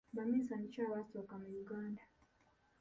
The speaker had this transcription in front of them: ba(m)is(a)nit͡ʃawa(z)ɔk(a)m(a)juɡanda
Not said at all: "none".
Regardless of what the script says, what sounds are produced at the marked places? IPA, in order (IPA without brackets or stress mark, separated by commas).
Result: m, a, s, a, a